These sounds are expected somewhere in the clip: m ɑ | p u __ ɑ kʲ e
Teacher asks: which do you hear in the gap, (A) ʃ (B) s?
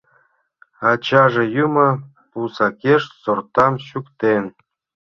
B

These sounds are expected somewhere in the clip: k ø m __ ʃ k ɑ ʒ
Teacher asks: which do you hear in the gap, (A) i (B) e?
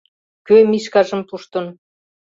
A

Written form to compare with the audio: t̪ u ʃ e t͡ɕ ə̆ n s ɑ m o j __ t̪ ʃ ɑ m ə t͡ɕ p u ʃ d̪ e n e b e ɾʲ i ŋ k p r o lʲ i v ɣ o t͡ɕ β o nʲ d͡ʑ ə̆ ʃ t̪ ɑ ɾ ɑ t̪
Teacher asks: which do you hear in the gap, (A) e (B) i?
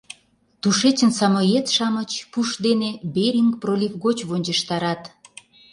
A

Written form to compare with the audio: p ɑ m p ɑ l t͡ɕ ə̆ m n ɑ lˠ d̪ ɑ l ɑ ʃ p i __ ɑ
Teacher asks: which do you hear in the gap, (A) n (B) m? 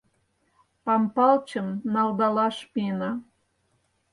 A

